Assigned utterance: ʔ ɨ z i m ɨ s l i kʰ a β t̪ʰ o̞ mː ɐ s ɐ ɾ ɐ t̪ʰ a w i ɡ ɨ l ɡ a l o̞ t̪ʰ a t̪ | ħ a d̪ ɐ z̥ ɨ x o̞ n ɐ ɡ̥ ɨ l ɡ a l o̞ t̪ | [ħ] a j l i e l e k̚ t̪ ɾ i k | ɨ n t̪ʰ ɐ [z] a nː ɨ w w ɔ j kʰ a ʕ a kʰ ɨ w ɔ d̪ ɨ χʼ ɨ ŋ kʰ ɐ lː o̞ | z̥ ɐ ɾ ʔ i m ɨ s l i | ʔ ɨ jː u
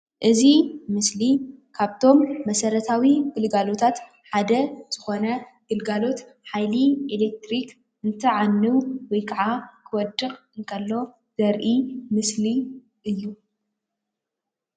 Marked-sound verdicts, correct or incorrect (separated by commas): correct, incorrect